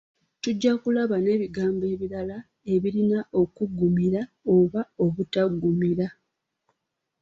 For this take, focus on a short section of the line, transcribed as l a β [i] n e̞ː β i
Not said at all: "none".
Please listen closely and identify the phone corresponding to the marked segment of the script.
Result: a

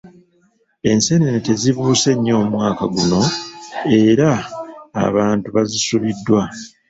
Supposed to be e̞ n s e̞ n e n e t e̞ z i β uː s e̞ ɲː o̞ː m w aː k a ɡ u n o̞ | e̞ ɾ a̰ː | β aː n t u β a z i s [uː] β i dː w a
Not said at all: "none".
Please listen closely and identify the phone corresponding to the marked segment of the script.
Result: u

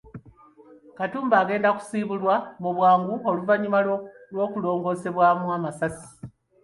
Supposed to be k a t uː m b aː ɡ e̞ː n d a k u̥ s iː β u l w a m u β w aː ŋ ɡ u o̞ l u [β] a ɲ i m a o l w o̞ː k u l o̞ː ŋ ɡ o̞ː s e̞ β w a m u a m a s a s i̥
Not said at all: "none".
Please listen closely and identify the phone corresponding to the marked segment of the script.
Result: v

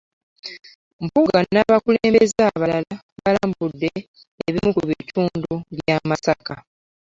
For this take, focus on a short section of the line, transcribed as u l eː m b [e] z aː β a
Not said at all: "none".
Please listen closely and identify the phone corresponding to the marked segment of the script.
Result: e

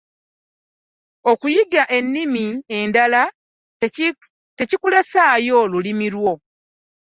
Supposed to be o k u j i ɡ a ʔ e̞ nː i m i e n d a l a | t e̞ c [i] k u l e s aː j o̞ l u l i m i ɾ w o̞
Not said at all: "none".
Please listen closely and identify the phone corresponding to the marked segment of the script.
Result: i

